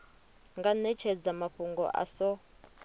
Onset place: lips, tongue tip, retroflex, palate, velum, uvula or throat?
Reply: velum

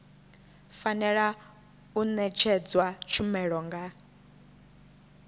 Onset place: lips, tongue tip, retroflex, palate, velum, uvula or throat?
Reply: lips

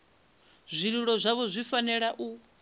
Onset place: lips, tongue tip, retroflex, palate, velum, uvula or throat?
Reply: tongue tip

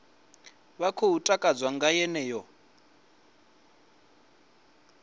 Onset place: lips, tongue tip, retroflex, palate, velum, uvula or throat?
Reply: lips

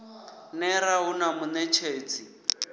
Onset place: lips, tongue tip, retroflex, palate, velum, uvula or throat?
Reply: tongue tip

